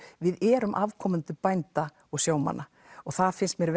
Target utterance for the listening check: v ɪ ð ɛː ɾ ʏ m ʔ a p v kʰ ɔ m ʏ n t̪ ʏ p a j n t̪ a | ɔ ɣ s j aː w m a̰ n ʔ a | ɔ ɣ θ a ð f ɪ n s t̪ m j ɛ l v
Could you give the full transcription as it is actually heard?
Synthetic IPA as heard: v ɪ ð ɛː ɾ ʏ m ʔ a v kʰ ɔ m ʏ n t̪ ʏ p a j n t̪ a | ɔ ɣ s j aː w m a̰ n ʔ a | ɔ ɣ θ a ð f ɪ n s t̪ m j ɛ ɾ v